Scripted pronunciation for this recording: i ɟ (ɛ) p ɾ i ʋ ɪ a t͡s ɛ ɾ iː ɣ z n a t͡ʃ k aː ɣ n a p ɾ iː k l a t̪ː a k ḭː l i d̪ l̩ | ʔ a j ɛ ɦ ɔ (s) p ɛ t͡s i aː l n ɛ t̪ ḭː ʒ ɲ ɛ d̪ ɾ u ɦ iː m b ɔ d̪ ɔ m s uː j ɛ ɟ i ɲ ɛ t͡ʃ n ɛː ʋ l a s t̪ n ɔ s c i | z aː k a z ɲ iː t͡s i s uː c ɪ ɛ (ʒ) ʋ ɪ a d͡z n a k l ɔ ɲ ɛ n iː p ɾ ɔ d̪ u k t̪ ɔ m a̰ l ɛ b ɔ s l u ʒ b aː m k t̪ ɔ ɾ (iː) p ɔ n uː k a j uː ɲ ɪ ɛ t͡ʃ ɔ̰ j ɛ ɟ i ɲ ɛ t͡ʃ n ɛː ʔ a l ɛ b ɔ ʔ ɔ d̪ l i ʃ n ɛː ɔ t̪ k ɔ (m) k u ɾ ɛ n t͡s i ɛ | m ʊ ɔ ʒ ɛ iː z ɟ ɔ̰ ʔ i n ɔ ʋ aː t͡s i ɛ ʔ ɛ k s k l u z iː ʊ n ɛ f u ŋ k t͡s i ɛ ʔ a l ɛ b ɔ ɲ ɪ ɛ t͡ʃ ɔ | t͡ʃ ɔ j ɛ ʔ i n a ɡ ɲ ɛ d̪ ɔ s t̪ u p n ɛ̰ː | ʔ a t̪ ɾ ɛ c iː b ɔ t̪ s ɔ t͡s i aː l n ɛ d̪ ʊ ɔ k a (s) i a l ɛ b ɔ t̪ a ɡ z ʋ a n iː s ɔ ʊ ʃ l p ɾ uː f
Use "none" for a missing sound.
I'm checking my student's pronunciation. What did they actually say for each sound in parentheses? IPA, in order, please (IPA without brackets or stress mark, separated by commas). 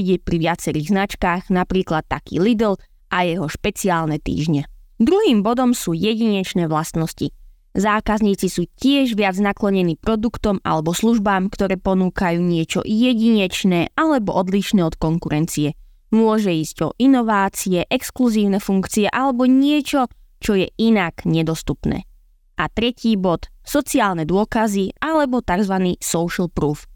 ɛ, ʃ, ʒ, ɛː, ŋ, z